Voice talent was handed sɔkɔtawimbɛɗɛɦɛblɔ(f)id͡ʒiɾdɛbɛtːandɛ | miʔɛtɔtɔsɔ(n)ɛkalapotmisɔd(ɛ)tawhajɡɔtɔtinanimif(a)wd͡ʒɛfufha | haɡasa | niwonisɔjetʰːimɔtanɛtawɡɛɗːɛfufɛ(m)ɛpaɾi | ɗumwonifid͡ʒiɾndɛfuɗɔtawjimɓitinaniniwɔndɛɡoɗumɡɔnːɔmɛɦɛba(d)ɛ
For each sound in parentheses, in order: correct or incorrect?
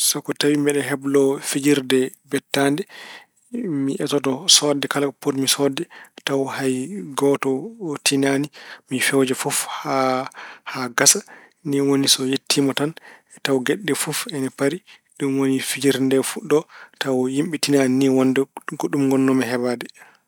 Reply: correct, incorrect, correct, incorrect, incorrect, correct

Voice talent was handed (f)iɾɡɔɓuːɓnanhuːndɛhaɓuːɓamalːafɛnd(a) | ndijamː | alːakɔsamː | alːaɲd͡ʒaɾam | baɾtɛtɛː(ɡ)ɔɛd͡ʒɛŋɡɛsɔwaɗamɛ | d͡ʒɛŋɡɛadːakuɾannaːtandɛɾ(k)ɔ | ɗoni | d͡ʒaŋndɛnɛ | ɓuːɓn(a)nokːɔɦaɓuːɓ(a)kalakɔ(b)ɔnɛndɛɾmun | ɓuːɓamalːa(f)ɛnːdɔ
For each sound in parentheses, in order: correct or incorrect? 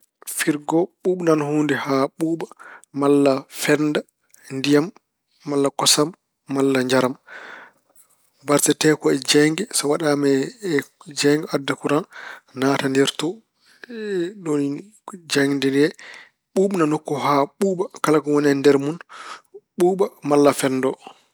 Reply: correct, correct, incorrect, incorrect, correct, correct, incorrect, correct

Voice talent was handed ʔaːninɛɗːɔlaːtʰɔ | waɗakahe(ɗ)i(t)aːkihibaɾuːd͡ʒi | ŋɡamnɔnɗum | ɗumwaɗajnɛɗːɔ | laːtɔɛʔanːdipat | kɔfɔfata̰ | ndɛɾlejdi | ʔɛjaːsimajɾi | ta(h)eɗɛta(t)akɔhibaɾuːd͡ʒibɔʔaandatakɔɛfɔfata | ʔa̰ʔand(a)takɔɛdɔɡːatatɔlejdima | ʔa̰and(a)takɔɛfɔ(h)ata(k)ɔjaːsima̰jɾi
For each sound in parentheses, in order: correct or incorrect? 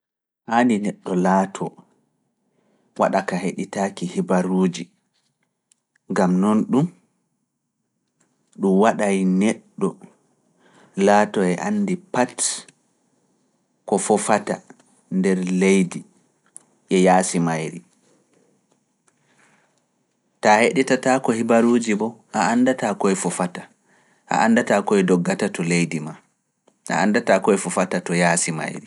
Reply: correct, correct, correct, correct, correct, correct, incorrect, incorrect

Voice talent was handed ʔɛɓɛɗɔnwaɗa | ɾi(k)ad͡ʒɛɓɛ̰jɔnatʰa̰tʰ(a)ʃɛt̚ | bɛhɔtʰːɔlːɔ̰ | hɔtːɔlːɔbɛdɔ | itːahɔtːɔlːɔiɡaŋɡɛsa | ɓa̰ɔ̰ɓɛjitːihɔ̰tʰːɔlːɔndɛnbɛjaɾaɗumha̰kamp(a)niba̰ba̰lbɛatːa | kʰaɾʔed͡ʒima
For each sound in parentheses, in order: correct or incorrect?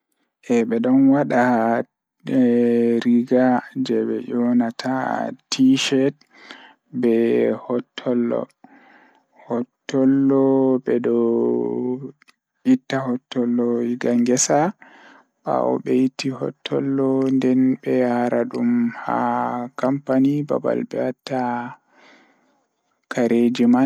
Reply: incorrect, incorrect, correct

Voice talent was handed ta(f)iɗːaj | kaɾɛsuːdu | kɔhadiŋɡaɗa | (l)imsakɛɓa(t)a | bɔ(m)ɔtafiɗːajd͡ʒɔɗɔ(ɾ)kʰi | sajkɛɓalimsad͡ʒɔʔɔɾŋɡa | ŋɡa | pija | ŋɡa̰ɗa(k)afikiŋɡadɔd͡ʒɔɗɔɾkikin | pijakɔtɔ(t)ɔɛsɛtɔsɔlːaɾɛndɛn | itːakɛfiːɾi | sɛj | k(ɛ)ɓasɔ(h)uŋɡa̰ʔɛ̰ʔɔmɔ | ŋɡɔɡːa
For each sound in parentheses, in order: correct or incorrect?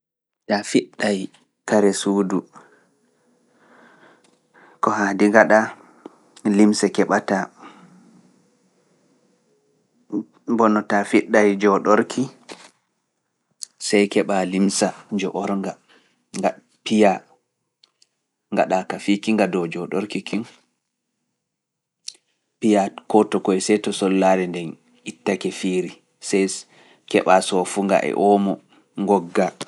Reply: correct, correct, correct, incorrect, correct, correct, incorrect, correct, incorrect

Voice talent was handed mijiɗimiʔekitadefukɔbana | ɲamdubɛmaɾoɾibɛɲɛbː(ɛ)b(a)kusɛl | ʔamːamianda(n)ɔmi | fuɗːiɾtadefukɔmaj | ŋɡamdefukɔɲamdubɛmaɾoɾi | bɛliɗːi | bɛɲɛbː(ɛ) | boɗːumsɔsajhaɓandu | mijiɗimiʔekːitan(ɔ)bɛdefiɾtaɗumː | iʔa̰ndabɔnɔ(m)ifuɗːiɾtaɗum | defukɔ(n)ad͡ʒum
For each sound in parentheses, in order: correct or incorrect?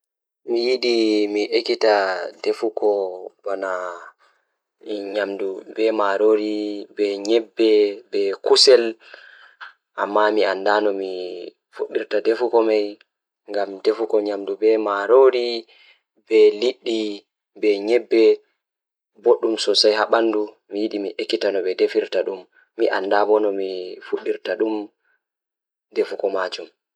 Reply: correct, incorrect, correct, correct, correct, correct, incorrect

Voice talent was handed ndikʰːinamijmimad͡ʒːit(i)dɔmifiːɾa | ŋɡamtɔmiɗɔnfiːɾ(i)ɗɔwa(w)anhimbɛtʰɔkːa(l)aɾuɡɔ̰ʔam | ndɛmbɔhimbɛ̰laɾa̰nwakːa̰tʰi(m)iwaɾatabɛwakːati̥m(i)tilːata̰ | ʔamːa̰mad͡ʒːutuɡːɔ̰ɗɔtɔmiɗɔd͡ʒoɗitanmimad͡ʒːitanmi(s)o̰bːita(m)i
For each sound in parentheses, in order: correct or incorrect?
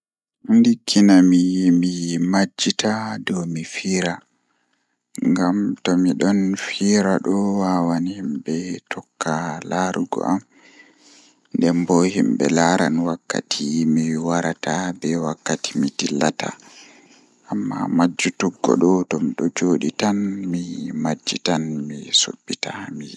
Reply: incorrect, incorrect, correct, correct, correct, correct, correct, correct

